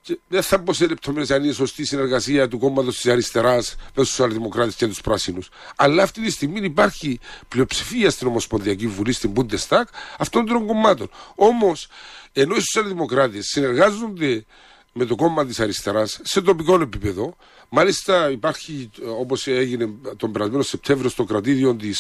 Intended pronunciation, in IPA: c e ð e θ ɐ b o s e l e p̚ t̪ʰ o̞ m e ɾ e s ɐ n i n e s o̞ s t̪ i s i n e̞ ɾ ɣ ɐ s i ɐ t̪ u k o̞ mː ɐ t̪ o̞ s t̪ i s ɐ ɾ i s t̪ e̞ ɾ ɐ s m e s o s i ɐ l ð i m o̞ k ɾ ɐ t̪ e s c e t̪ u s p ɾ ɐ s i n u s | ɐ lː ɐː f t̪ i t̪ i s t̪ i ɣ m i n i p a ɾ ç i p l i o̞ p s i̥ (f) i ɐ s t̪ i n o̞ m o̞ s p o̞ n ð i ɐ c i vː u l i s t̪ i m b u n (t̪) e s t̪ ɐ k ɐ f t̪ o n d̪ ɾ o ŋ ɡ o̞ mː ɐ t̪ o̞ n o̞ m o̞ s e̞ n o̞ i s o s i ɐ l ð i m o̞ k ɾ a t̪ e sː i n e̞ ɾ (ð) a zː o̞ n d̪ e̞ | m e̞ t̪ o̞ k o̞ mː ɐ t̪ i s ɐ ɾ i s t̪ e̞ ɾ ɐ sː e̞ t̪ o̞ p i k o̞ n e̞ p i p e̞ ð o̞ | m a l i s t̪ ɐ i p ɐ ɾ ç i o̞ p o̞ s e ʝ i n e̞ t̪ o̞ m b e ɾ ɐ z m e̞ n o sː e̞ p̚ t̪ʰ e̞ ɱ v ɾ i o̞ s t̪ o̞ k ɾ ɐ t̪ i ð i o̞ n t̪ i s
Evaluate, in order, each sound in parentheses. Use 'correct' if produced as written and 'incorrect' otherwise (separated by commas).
correct, incorrect, incorrect